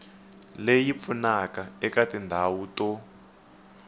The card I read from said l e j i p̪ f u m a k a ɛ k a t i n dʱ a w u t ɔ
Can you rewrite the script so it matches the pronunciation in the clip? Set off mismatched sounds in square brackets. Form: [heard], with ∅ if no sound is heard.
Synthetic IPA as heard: l e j i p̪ f u [n] a k a ɛ k a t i n dʱ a w u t ɔ